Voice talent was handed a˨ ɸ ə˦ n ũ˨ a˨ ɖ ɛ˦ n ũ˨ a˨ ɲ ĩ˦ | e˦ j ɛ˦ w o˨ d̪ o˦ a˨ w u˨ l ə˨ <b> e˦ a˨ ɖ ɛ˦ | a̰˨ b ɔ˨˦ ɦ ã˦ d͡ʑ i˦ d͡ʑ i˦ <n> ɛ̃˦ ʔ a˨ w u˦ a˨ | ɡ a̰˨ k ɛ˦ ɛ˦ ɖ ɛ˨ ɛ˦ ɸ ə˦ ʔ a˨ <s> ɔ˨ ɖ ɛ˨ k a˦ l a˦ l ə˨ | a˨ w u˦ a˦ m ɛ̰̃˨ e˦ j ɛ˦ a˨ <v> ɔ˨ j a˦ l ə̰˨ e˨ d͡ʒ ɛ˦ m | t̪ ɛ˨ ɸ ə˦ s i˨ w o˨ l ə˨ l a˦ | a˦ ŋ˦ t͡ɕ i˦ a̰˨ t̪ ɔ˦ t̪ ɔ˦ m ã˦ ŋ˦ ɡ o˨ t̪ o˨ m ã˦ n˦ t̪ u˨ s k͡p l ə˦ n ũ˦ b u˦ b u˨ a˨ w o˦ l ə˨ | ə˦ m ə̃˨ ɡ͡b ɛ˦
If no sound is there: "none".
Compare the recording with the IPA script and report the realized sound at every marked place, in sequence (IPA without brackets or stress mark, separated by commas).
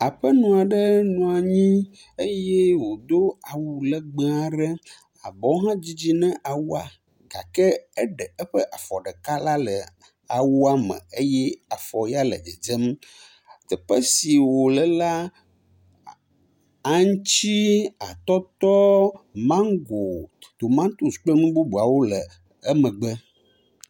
ɡ͡b, n, f, f